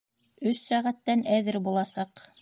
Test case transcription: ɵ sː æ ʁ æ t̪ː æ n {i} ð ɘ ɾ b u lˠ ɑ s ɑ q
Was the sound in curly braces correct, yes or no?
no